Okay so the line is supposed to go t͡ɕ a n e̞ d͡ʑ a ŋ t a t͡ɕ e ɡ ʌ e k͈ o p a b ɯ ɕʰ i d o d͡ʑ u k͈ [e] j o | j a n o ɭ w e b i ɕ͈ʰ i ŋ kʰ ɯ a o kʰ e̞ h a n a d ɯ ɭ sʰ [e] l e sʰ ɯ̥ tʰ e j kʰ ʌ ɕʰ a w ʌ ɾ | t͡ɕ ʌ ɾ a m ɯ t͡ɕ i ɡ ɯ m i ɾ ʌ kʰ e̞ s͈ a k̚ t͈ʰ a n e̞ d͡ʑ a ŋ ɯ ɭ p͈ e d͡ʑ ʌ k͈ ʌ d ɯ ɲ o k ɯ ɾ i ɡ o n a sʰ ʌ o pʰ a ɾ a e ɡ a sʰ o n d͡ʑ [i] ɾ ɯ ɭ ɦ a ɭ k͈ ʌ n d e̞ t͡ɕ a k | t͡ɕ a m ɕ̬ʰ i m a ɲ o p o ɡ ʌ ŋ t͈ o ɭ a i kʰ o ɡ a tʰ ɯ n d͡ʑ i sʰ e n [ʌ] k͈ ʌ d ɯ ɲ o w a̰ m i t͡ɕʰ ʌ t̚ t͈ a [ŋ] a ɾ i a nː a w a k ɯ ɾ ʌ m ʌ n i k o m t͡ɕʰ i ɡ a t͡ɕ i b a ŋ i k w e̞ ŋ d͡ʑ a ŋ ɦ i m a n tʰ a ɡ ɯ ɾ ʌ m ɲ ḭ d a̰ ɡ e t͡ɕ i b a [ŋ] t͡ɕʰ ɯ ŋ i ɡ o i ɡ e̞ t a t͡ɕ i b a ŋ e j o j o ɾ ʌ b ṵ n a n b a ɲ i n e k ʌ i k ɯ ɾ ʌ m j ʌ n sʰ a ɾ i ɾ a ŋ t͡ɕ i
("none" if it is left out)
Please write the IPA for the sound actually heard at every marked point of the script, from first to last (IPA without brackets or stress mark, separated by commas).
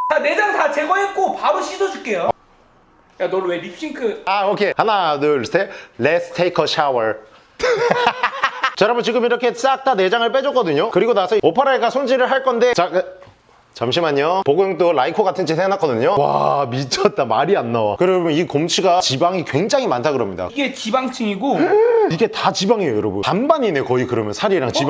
e, e, i, a, m, ŋ